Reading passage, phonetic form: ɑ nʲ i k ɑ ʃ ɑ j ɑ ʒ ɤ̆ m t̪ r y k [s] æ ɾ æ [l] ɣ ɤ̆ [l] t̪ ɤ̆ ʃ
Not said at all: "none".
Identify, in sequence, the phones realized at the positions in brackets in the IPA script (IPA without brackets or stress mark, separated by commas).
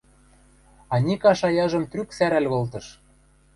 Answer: s, l, l